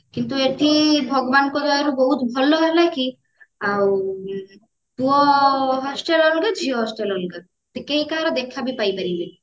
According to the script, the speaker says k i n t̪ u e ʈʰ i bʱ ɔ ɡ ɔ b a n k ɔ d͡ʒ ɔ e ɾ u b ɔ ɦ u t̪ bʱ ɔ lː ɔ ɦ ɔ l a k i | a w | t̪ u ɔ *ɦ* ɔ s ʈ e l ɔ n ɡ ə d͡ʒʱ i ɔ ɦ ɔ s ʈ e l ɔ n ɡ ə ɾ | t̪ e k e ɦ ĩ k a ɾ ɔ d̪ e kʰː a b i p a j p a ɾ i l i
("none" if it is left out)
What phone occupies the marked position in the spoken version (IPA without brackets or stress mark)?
ɦ